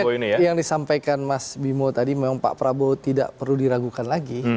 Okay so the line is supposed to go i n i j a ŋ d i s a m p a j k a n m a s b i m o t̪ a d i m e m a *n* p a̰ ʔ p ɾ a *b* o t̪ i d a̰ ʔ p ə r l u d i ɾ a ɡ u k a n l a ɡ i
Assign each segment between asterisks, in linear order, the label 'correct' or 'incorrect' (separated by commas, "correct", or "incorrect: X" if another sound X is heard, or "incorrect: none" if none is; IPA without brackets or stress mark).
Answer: incorrect: ŋ, correct